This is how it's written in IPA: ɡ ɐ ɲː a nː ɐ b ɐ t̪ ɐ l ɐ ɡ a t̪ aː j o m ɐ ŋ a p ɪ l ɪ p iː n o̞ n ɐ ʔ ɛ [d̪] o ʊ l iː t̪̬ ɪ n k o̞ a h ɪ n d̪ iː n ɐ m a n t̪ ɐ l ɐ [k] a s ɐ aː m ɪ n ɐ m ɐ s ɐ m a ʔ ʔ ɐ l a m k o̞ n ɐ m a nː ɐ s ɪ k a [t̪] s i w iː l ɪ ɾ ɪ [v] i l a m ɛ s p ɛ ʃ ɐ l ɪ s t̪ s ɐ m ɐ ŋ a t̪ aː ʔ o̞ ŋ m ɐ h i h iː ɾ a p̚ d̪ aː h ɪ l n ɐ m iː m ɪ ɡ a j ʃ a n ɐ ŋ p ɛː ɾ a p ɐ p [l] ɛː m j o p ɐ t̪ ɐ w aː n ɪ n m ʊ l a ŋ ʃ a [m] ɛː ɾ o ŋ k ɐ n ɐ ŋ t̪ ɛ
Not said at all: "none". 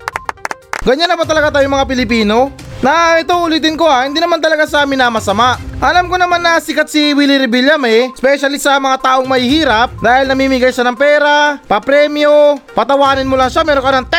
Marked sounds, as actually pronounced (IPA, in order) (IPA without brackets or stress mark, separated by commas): t̪, ɡ, t̪, b, ɾ, m